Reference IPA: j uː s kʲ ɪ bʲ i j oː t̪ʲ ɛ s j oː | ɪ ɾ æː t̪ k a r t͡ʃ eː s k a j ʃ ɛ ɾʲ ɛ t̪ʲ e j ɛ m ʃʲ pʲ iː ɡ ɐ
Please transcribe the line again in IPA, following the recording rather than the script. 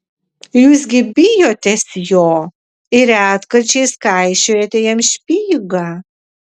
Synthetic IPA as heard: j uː s ɡʲ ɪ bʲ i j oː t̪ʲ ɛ s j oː | ɪ ɾ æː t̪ k ɐ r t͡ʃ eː s k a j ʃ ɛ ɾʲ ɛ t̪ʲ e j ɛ m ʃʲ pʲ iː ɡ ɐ